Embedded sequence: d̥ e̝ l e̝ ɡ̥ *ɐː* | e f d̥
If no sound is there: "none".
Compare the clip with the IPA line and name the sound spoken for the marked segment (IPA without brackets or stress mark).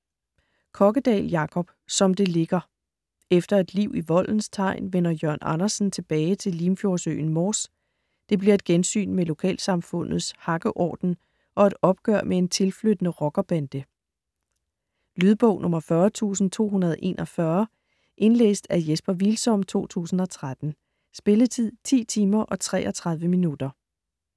ɐ